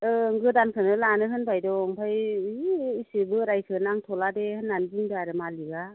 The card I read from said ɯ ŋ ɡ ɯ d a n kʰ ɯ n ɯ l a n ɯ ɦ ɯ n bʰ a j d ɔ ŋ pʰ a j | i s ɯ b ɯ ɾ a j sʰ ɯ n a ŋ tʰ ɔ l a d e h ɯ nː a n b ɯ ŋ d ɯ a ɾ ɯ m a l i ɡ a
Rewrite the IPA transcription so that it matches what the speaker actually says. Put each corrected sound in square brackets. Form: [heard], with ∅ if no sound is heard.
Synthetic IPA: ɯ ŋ ɡ ɯ d a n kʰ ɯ n ɯ l a n ɯ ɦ ɯ n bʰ a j d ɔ ŋ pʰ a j | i s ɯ b ɯ ɾ a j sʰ ɯ n a ŋ tʰ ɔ l a d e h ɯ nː a n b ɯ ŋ d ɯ a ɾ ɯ m a l i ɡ a